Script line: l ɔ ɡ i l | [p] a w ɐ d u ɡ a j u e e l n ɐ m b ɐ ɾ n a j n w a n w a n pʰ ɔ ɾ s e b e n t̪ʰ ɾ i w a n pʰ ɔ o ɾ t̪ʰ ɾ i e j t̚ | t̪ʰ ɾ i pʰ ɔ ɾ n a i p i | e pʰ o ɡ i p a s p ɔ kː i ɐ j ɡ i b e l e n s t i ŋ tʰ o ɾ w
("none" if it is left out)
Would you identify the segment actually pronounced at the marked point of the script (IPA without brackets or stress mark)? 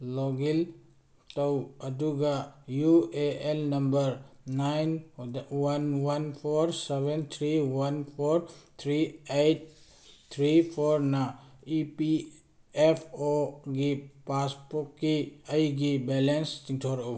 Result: t